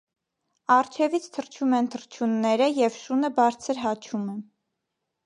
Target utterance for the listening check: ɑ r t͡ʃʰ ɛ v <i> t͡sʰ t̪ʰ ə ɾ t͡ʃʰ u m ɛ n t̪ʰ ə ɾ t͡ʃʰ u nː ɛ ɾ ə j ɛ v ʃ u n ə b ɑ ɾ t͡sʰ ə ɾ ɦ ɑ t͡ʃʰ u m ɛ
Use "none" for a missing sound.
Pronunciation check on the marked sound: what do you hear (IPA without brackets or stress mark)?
i